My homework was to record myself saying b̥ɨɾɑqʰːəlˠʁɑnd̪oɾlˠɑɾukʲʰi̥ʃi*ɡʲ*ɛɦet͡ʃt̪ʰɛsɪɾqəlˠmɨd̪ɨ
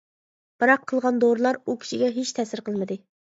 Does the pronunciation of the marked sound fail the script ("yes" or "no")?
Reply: no